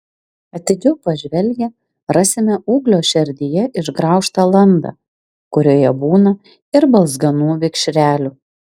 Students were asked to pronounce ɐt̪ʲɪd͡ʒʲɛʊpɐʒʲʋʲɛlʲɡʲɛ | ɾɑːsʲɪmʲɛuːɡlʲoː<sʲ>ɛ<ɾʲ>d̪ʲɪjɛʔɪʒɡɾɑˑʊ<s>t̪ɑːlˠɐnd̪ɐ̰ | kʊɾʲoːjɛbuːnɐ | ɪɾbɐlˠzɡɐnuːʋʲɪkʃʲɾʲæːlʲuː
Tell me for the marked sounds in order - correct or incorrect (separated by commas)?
incorrect, correct, incorrect